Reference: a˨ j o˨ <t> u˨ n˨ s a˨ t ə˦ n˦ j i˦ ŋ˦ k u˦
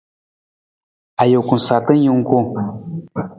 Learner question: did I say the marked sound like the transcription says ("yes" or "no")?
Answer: no